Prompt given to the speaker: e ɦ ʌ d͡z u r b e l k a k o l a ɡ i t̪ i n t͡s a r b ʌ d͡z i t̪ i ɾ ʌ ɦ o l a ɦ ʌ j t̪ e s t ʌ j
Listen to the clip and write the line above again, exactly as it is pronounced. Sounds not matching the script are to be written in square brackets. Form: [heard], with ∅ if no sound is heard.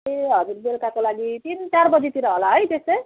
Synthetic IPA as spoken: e ɦ ʌ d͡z u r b e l k a k o l a ɡ i t̪ i n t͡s a r b ʌ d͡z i t̪ i ɾ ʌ ɦ o l a ɦ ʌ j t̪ e s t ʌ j